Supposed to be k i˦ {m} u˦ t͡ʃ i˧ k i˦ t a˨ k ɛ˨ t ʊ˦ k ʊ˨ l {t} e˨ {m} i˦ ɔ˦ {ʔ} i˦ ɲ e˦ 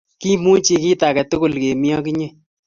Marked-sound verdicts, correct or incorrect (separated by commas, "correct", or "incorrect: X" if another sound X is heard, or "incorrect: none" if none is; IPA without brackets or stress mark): correct, incorrect: k, correct, incorrect: k